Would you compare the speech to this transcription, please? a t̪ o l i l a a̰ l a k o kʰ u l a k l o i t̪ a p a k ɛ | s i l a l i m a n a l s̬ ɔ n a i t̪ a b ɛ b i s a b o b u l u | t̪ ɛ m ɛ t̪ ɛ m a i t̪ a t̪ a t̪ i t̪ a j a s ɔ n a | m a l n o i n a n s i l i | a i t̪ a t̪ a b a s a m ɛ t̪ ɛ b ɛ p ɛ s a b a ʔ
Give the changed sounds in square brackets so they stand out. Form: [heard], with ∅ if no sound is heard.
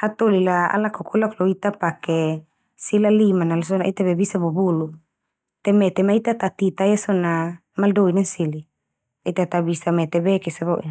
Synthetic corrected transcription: a t̪ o l i l a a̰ l a k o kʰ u l a k l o i t̪ a p a k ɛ | s i l a l i m a n a l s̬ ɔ n a i t̪ a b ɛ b i s a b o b u l u | t̪ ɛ m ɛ t̪ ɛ m a i t̪ a t̪ a t̪ i t̪ a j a s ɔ n a | m a l [d] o i n a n s i l i | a i t̪ a t̪ a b [i] s a m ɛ t̪ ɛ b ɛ [k] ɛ s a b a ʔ